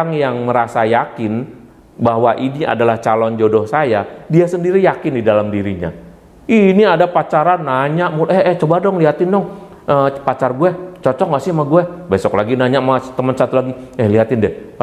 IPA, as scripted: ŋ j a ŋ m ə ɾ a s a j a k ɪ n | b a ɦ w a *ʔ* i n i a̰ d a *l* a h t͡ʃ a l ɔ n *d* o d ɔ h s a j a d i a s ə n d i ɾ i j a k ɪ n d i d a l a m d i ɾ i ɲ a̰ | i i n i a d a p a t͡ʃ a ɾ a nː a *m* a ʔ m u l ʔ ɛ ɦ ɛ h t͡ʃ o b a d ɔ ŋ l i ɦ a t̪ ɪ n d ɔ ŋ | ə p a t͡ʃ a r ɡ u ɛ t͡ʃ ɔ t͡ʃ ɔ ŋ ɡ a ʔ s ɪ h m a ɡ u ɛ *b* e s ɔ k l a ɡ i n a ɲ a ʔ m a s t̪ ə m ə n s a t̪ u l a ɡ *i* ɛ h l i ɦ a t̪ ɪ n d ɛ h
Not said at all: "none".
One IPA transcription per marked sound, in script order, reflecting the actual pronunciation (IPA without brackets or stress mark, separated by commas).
ʔ, l, d͡ʒ, ɲ, b, i